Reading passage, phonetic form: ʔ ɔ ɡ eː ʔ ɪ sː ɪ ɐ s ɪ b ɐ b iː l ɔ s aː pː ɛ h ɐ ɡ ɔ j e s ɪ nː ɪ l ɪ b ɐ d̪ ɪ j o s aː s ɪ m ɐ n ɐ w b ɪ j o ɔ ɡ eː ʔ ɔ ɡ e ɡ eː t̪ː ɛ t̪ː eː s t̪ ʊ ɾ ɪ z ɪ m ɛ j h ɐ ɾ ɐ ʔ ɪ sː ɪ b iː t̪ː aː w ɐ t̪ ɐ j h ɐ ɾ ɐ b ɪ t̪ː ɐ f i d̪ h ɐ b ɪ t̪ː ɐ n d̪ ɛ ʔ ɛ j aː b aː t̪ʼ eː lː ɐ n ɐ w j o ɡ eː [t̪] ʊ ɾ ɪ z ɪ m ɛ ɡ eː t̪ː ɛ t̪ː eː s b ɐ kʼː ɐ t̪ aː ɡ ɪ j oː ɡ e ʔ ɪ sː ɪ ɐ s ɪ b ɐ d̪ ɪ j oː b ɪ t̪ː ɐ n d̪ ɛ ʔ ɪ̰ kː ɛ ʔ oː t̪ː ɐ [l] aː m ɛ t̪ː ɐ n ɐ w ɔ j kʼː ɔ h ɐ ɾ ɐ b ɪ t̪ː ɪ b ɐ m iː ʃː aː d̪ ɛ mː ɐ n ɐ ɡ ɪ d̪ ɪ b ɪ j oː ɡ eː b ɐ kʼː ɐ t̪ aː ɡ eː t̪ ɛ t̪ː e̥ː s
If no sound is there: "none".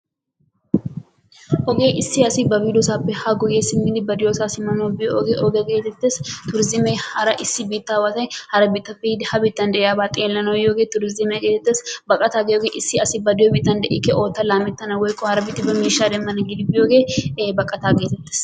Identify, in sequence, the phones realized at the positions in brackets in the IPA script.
t̪, l

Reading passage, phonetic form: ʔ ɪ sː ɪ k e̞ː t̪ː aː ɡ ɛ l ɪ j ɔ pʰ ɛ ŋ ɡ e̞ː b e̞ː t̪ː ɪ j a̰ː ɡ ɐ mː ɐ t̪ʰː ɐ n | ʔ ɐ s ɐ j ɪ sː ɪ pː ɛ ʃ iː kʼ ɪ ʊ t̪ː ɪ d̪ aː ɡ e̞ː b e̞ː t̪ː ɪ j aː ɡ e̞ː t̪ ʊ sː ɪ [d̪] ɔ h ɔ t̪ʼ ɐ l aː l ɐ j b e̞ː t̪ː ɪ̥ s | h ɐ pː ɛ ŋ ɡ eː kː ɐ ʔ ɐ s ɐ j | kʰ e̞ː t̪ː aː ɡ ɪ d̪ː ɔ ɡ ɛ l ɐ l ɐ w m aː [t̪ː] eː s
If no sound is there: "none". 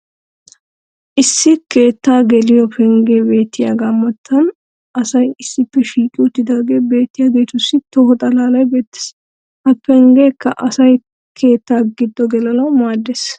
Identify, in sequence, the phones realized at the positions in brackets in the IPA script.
t̪, d̪ː

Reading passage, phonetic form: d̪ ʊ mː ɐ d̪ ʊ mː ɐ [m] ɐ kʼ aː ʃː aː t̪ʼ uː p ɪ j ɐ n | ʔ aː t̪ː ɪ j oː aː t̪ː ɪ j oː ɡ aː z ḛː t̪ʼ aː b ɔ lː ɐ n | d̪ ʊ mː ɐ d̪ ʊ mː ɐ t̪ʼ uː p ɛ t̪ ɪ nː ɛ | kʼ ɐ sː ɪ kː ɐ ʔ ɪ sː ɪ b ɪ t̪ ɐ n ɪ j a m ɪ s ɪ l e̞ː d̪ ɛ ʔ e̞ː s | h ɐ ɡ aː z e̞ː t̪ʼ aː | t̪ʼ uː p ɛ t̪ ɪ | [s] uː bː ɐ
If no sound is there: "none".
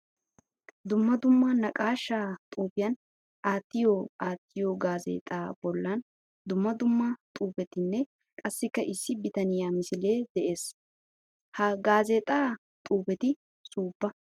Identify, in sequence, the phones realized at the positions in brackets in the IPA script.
n, s

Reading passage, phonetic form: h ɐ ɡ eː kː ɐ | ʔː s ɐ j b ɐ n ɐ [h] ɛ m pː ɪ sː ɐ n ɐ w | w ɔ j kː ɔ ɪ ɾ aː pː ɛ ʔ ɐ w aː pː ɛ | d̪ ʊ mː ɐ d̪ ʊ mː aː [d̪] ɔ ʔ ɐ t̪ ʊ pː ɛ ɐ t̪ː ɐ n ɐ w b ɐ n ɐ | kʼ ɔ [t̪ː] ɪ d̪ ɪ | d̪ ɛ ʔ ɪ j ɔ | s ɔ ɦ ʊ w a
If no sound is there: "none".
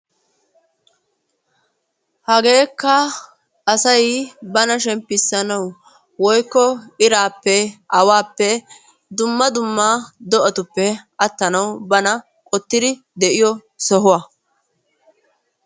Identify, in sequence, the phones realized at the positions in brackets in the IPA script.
ʃ, d̪, t̪ː

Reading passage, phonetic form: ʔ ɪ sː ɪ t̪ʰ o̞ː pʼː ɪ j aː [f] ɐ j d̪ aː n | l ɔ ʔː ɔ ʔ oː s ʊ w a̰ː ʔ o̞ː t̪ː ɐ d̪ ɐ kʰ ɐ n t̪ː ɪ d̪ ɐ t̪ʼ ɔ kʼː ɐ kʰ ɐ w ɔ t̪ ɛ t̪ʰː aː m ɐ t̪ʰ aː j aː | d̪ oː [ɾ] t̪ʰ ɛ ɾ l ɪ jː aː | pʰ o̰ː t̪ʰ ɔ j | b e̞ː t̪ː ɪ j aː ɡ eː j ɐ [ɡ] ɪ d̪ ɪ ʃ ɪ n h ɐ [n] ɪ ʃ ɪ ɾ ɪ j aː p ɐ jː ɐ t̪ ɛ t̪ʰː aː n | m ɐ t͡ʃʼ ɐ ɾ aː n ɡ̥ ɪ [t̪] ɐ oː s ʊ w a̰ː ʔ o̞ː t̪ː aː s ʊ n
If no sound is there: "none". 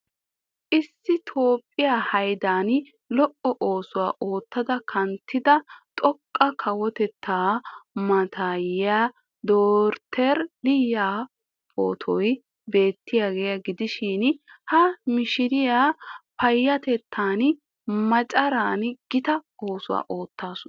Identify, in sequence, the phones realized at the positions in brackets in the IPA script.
h, ɾ, ɡ, m, t̪

